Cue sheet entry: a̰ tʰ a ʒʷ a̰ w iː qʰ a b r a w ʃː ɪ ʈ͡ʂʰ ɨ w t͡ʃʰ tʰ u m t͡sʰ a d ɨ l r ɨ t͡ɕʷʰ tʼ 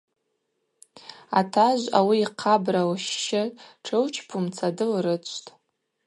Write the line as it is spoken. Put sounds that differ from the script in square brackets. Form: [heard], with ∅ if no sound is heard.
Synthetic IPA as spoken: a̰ tʰ a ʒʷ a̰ w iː qʰ a b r a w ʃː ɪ ʈ͡ʂʰ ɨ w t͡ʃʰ [pʰ] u m t͡sʰ a d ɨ l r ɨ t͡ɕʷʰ tʼ